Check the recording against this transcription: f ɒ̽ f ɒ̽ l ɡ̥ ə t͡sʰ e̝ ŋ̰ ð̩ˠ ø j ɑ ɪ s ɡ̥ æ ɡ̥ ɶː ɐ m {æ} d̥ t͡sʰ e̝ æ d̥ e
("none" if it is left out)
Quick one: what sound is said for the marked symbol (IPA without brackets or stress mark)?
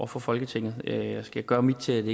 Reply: i